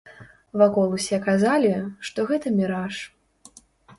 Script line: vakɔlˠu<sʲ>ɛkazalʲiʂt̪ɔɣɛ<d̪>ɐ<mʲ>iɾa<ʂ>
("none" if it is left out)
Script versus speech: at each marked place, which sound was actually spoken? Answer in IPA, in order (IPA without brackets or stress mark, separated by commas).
sʲ, t̪, mʲ, ʂ